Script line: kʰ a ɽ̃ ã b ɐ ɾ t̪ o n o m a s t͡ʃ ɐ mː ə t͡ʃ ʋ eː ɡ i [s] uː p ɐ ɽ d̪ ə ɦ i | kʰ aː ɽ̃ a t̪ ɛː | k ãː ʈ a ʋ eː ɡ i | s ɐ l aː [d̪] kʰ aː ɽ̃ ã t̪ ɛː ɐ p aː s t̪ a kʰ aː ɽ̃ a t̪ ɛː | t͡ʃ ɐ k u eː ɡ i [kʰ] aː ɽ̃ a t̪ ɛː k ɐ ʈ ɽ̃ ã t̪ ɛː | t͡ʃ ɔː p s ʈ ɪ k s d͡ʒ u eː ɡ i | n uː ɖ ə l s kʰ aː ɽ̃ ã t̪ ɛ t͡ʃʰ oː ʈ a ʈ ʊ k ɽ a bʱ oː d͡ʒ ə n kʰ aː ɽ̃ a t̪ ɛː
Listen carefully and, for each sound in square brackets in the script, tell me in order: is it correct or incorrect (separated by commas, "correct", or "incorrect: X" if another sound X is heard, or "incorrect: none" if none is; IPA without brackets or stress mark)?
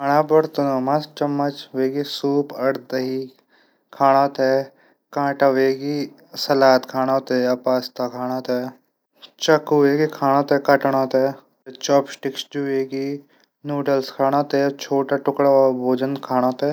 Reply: correct, incorrect: t̪, correct